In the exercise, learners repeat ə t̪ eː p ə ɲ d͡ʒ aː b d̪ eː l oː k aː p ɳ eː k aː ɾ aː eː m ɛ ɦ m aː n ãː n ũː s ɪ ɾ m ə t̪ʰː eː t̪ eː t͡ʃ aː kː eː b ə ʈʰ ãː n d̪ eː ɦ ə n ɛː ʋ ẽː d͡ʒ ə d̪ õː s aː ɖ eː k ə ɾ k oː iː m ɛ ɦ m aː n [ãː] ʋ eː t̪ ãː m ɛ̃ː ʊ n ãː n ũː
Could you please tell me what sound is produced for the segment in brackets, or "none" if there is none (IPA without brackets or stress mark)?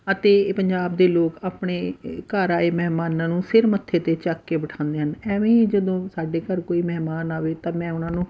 aː